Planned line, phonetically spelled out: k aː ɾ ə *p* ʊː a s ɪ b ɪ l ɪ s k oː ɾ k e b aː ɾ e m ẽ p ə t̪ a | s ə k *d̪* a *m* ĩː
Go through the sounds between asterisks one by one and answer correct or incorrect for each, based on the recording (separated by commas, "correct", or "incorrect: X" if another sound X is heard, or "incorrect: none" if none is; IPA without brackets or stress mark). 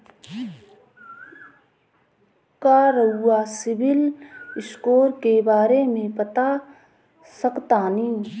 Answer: incorrect: none, incorrect: t̪, incorrect: n